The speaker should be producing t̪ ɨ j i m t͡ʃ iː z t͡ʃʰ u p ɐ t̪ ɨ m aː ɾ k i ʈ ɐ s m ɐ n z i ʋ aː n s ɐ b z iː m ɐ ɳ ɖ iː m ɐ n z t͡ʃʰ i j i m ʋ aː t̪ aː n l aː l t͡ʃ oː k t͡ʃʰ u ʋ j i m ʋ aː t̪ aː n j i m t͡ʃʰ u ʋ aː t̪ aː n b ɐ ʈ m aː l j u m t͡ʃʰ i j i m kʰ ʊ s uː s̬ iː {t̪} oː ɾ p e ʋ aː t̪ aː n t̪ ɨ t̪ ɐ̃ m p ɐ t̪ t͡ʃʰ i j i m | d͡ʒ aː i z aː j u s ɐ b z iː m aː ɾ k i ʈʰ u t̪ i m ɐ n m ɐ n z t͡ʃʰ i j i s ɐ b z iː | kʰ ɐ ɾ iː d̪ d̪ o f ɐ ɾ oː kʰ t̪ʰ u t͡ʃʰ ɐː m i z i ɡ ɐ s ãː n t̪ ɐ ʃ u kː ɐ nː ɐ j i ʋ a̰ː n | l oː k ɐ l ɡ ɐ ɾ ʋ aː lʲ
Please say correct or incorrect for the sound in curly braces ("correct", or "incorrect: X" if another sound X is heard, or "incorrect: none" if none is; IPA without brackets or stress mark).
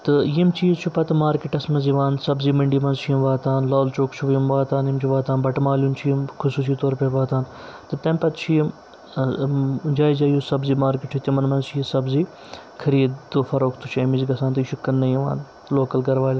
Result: correct